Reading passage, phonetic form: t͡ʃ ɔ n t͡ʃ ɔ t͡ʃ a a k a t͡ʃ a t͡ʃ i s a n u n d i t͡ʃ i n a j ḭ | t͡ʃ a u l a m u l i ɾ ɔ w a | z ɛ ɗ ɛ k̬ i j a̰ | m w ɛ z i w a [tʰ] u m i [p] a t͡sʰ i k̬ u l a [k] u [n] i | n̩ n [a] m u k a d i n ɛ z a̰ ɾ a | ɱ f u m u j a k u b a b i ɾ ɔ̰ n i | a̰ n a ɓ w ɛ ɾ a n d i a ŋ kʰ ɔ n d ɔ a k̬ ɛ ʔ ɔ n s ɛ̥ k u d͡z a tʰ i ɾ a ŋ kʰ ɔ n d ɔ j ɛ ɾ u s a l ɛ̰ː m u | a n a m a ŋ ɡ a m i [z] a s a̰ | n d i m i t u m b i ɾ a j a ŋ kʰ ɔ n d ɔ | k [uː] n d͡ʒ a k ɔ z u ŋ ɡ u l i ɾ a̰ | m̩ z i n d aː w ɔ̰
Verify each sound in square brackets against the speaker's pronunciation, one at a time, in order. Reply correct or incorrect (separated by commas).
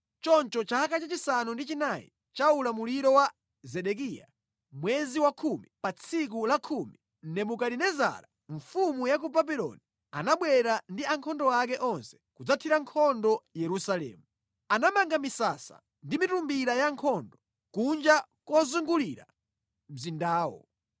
incorrect, correct, incorrect, incorrect, incorrect, incorrect, incorrect